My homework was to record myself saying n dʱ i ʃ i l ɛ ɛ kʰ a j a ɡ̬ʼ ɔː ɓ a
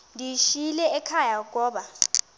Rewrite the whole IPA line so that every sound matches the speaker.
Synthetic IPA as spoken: n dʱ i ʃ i l ɛ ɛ kʰ a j a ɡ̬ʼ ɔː ɓ a